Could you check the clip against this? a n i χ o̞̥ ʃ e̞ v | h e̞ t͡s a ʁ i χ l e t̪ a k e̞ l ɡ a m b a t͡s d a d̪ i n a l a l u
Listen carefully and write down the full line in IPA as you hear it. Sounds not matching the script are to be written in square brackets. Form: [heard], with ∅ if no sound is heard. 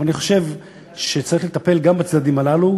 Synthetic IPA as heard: a n i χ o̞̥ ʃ e̞ v | [ʃ] e̞ t͡s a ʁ i χ l e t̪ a [p] e̞ l ɡ a m b a t͡s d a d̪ i [m] a l a l u